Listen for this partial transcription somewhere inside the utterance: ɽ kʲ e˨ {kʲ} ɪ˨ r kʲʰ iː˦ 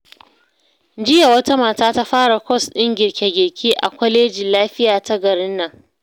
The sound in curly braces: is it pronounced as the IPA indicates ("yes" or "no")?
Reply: no